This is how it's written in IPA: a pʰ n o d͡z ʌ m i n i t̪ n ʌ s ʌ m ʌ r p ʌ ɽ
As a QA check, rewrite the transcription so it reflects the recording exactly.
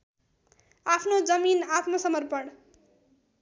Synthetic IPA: a pʰ n o d͡z ʌ m i n a t̪ m ʌ s ʌ m ʌ r p ʌ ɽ